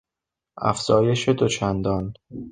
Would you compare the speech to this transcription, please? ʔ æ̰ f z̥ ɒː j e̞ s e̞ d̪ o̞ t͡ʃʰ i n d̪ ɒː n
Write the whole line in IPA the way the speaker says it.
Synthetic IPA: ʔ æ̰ f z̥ ɒː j e̞ ʃ e̞ d̪ o̞ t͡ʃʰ æ n d̪ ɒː n